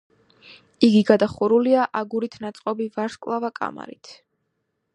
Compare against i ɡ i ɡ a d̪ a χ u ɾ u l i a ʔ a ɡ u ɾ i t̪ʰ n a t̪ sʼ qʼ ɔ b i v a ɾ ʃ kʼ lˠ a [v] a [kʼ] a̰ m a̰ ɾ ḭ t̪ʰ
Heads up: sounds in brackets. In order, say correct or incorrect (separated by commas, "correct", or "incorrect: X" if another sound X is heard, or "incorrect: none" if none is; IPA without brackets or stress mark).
correct, correct